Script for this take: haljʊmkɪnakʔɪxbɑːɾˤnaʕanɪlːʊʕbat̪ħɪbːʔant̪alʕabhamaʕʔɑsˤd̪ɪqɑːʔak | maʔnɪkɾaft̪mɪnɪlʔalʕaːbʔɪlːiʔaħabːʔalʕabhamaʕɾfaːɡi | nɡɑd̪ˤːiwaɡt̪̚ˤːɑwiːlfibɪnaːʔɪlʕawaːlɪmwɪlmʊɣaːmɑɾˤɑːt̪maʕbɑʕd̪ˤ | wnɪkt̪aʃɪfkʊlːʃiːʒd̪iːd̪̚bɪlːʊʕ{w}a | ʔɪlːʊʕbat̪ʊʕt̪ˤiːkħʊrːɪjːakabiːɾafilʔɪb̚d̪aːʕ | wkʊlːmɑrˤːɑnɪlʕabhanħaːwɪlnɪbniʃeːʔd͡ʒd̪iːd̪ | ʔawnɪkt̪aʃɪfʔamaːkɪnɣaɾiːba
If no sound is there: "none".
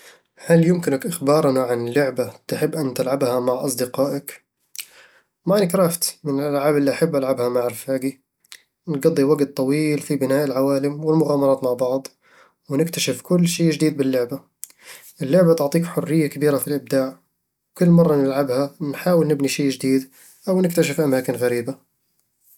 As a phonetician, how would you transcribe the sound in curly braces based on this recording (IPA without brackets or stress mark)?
b